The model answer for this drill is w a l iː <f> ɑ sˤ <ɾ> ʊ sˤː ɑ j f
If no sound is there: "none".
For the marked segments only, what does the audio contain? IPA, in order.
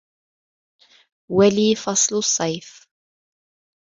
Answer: f, l

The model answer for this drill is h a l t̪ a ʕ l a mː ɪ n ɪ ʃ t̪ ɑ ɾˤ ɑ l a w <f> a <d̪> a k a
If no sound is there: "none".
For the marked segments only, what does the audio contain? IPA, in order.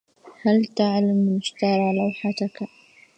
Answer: ħ, t̪

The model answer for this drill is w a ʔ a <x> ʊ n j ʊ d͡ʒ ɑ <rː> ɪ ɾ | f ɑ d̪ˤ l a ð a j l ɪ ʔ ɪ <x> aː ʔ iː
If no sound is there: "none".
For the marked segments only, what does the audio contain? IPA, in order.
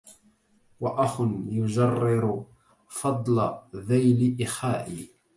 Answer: x, rː, x

